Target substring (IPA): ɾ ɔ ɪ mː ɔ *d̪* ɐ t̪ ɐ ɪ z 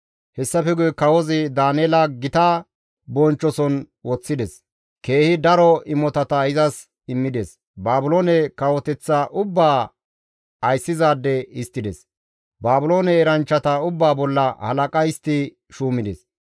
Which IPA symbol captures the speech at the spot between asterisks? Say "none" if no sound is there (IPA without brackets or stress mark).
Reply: t̪